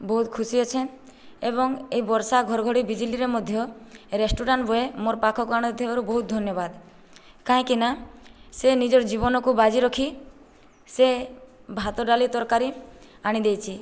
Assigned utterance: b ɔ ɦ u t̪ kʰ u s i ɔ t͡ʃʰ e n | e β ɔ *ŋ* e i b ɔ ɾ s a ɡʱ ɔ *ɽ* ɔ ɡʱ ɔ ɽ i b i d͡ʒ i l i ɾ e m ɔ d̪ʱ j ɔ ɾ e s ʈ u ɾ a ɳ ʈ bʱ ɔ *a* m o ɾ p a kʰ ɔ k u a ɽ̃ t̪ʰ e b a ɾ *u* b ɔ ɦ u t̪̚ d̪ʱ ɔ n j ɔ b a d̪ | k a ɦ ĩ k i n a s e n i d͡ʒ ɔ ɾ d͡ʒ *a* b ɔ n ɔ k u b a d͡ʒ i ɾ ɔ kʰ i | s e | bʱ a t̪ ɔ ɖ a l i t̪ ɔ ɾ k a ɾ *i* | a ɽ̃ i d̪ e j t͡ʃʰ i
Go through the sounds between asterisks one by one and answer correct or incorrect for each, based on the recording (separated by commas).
correct, incorrect, incorrect, correct, incorrect, correct